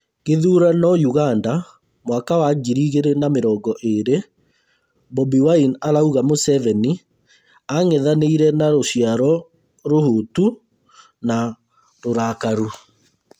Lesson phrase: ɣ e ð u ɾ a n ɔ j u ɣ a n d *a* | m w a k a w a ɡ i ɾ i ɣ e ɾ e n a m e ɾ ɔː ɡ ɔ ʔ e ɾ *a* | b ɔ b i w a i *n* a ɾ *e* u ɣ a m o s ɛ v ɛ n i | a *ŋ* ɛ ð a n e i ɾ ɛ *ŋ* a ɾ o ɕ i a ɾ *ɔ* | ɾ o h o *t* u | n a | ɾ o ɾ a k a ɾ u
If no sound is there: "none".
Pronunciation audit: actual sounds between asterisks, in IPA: a, e, n, a, ŋ, n, ɔ, t

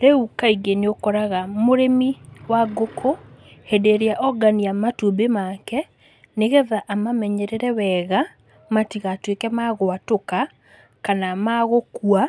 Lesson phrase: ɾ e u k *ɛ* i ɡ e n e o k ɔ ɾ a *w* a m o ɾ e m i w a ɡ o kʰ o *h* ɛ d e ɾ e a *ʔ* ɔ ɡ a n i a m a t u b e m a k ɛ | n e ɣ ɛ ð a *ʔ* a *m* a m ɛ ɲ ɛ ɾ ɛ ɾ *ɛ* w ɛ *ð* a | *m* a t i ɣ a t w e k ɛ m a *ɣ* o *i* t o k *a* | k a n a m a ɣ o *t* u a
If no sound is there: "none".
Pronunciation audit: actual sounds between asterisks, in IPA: a, ɣ, h, ʔ, ʔ, m, ɛ, ɣ, m, ɣ, a, a, k

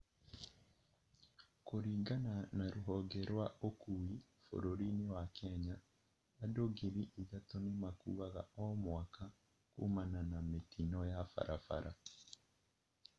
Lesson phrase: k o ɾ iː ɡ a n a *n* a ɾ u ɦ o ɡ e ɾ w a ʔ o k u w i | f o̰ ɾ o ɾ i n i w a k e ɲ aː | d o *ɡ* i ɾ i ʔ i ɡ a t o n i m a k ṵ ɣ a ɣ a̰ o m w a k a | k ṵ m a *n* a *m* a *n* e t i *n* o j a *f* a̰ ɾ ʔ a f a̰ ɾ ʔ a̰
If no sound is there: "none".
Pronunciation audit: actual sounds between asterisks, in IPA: n, ɡ, n, n, m, n, f

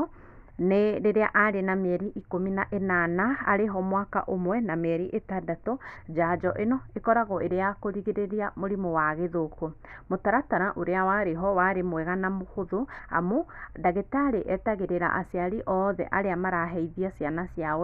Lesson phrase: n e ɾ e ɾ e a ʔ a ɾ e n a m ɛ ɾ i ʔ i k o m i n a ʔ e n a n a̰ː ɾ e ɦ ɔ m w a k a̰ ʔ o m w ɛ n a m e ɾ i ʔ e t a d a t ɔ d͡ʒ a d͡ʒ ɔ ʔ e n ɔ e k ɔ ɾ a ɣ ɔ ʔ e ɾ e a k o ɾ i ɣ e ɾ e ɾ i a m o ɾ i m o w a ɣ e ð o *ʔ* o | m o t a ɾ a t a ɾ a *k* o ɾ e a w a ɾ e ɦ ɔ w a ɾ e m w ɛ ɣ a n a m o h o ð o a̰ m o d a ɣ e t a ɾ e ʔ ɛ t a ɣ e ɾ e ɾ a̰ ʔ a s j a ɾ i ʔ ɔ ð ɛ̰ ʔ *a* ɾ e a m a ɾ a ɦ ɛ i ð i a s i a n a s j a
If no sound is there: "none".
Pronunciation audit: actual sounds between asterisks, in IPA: k, ʔ, a

